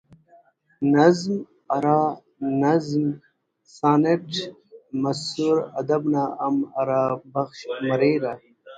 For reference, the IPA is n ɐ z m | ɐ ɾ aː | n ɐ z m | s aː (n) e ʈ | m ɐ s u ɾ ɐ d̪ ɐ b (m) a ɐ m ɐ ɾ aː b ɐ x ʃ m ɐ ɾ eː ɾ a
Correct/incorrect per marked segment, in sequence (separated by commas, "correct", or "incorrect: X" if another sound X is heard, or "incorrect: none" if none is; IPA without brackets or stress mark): correct, incorrect: n